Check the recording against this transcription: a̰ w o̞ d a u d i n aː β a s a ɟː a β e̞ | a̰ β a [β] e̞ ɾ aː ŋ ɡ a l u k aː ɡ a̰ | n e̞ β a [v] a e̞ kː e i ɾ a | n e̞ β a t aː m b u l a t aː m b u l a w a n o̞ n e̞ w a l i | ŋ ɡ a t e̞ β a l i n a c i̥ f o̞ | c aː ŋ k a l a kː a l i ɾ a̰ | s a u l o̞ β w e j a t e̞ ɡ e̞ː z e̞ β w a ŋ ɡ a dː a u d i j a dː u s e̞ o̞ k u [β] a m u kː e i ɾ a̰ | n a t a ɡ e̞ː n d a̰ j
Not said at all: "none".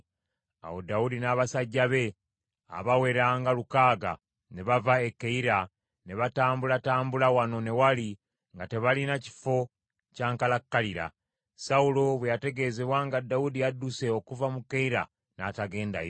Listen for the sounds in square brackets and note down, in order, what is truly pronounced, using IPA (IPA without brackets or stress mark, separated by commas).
w, v, v